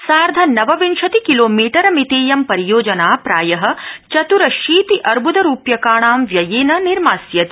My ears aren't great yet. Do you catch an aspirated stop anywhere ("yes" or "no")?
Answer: no